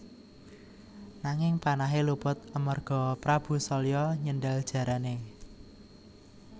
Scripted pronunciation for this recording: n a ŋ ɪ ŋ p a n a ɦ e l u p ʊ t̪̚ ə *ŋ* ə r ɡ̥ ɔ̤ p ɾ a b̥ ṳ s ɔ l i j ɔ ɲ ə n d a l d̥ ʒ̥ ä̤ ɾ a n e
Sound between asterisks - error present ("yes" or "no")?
yes